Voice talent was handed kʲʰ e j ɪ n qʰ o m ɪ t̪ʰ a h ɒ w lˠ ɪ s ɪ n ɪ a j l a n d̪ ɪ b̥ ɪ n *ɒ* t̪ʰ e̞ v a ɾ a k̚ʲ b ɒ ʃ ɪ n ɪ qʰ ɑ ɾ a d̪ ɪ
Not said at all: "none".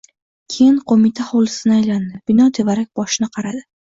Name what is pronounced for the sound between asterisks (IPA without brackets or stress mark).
ɒ